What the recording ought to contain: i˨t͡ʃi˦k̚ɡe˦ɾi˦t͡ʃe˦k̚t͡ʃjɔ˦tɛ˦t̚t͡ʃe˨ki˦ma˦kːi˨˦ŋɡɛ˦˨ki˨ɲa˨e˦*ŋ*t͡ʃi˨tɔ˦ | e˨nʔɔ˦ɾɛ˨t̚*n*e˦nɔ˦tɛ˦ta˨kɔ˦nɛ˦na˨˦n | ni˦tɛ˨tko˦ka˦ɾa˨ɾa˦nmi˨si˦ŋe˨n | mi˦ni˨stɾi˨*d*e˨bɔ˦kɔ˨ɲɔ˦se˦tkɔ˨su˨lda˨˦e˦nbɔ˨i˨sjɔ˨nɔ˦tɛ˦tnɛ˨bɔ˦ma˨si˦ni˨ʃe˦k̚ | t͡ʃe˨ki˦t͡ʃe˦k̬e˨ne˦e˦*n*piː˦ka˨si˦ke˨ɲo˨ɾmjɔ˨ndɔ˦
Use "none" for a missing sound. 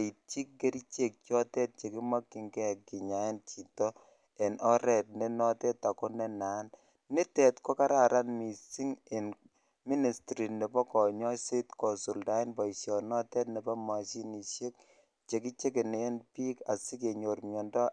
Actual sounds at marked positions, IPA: n, n, n, n

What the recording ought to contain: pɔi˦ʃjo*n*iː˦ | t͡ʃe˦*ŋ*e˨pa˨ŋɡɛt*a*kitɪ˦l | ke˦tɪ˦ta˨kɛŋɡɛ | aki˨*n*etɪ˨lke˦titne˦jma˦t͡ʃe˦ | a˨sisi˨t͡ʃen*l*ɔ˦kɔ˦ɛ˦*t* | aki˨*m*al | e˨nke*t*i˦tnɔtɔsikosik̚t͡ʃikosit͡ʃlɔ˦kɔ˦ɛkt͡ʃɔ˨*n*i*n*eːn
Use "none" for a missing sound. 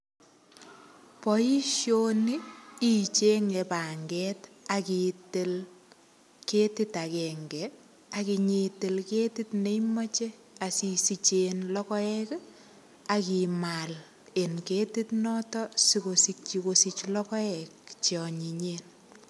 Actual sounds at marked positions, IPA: n, ŋ, a, ɲ, l, k, m, t, ɲ, ɲ

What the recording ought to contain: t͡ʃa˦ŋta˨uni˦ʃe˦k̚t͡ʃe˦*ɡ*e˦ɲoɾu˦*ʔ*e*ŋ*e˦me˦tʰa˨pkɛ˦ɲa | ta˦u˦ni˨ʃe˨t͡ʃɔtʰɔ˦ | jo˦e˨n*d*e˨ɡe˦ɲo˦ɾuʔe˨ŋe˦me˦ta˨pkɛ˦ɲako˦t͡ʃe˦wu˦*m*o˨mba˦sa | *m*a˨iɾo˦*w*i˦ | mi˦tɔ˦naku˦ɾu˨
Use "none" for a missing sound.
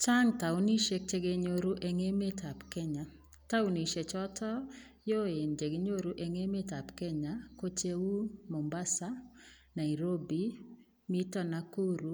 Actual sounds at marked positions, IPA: ɡ, ʔ, ŋ, d͡ʒ, m, n, b

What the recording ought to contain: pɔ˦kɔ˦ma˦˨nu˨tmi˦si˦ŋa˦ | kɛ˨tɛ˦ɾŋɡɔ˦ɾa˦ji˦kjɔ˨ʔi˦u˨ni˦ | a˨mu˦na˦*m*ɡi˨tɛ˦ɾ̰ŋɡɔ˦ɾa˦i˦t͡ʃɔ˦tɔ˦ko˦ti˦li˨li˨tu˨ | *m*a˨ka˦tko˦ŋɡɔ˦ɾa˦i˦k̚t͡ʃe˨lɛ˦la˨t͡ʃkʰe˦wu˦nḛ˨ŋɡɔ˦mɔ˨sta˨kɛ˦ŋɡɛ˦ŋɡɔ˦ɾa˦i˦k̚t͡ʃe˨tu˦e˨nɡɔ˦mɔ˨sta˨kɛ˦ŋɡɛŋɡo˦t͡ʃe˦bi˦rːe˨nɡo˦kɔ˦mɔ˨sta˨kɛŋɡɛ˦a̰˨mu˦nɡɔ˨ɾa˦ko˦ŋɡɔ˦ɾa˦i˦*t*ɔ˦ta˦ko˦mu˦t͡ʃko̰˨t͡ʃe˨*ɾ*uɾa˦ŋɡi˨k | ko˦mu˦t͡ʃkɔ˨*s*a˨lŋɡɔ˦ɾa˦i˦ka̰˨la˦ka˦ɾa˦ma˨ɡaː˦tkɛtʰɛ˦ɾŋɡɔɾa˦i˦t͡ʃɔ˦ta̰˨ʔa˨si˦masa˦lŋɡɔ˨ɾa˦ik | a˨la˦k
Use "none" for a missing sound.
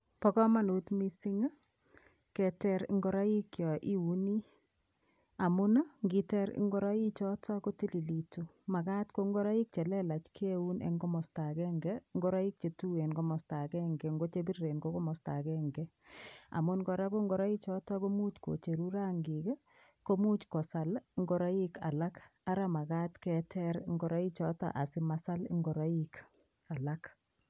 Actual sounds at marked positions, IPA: ŋ, m, t͡ʃ, ɾ, s

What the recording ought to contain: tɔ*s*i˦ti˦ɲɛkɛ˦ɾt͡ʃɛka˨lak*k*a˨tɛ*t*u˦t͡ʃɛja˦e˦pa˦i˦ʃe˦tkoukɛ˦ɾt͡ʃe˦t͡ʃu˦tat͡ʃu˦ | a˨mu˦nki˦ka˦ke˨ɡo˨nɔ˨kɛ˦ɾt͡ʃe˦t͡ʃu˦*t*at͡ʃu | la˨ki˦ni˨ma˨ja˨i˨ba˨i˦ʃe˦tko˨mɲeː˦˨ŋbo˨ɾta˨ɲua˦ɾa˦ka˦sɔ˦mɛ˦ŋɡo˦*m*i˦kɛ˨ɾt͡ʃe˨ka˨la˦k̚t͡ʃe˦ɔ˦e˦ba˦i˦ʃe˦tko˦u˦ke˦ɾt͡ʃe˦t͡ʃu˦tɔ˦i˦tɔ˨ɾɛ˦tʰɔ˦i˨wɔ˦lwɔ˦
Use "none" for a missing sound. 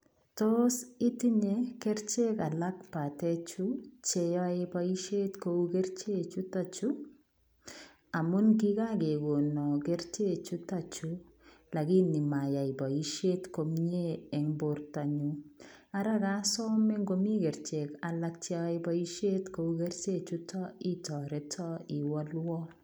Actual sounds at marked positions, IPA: s, p, t͡ʃ, t, m

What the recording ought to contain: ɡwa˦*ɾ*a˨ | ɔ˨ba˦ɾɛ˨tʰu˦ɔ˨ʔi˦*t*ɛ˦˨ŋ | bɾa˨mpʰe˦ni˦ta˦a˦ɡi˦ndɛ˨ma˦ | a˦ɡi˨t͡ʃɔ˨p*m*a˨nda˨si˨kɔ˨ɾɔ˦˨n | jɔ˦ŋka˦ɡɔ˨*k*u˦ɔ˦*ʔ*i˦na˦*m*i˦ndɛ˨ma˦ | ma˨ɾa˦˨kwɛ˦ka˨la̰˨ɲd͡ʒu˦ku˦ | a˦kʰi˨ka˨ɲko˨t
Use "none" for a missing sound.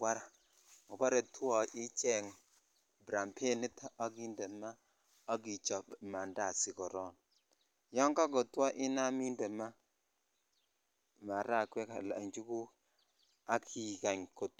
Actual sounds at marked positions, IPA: ɾ, t͡ʃ, m, t, ʔ, m

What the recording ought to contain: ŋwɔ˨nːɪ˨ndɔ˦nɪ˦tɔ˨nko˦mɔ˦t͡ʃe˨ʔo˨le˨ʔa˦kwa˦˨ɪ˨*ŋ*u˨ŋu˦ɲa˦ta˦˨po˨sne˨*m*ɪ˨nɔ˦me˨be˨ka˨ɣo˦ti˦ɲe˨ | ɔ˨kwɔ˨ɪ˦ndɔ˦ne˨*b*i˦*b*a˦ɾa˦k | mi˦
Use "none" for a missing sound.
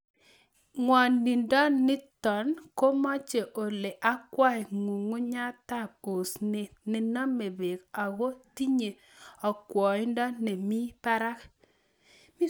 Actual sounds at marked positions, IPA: ŋ, n, m, p

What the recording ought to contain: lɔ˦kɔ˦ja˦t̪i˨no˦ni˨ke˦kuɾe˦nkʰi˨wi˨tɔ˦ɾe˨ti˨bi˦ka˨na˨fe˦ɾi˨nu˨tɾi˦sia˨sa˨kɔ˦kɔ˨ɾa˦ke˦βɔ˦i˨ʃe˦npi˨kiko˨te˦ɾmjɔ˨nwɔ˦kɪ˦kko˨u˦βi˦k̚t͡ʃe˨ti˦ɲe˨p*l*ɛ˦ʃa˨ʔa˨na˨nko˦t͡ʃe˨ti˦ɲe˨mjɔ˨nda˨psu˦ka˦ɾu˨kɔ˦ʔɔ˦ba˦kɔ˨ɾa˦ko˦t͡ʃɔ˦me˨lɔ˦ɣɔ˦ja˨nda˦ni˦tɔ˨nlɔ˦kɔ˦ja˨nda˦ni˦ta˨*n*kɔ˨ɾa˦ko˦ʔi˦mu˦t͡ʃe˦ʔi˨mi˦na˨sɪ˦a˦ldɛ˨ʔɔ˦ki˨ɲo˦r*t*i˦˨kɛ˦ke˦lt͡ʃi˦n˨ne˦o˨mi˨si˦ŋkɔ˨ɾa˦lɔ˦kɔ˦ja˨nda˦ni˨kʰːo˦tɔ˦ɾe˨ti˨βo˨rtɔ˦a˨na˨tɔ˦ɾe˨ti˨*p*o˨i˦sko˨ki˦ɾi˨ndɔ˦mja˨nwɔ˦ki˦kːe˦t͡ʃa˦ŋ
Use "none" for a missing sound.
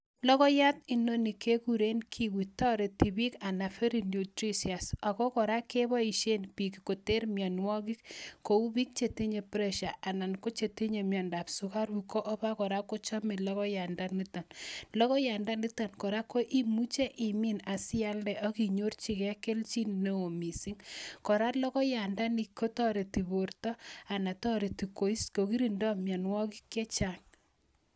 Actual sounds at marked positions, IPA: ɾ, n, t͡ʃ, k

